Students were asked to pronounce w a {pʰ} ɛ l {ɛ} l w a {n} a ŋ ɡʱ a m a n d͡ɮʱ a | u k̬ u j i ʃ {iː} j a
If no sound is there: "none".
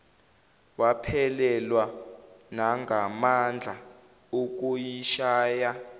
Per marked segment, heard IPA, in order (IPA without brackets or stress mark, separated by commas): pʰ, ɛ, n, aː